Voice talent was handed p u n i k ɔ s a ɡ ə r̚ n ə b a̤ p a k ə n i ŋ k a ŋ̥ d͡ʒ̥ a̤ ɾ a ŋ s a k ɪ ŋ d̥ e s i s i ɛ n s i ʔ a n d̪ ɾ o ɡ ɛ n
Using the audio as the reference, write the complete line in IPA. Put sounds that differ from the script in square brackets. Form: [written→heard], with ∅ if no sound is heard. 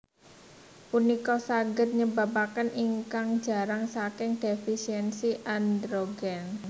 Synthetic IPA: p u n i k ɔ s a ɡ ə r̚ [n→ɲ] ə b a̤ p a k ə n i ŋ k a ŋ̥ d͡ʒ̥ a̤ ɾ a ŋ s a k ɪ ŋ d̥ e [s→f] i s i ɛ n s i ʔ a n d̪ ɾ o ɡ ɛ n